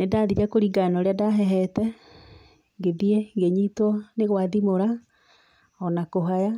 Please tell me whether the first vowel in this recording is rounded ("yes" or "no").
no